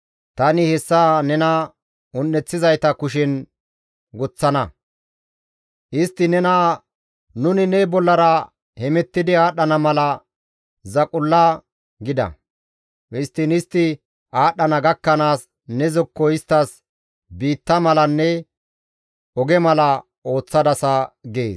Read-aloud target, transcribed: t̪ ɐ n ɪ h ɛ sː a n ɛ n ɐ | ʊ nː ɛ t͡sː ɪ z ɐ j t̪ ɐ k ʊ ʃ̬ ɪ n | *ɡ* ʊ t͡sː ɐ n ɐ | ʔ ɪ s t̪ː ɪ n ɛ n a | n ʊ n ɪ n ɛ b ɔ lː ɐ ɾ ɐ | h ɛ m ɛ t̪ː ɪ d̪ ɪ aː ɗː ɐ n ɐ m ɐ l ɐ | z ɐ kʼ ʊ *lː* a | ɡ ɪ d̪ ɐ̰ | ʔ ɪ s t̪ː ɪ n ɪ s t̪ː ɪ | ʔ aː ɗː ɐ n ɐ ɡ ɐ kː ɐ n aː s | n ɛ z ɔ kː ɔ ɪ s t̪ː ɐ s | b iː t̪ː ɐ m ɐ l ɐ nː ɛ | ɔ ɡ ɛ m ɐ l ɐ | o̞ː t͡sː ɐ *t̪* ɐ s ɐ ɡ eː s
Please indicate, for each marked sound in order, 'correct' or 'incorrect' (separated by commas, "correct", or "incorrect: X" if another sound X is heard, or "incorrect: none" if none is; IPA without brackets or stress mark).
correct, correct, incorrect: d̪